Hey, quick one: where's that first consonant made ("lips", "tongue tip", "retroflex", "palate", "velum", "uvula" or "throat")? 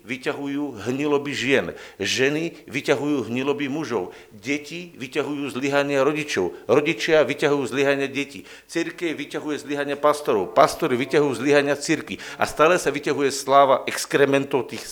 lips